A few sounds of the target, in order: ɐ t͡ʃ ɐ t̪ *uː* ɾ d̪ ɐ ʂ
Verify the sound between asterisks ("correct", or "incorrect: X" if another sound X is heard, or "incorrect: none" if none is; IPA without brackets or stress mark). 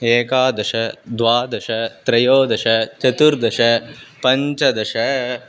incorrect: u